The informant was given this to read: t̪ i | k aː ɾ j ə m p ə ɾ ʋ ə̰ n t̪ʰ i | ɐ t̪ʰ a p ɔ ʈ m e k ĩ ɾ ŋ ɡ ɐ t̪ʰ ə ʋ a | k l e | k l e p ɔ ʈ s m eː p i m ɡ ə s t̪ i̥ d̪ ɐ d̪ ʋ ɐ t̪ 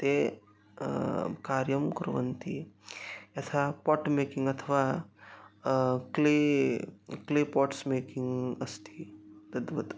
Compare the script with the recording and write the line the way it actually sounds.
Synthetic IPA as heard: t̪ e | k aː ɾ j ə m k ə ɾ ʋ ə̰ n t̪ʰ i | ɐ t̪ʰ a p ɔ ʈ m e k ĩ ŋ ɡ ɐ t̪ʰ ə ʋ a | k l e | k l e p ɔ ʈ s m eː k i ŋ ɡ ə s t̪ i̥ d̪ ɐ d̪ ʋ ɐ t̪